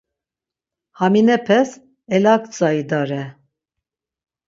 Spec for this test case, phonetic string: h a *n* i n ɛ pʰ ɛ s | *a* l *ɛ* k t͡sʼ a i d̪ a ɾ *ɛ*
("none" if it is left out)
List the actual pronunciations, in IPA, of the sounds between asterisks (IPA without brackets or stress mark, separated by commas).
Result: m, ɛ, a, ɛ